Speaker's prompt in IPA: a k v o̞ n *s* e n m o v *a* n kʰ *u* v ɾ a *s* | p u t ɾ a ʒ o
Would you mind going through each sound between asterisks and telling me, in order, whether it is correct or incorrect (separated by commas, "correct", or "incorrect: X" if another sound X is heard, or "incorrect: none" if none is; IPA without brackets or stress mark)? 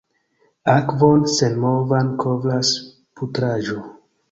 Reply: correct, correct, incorrect: o, correct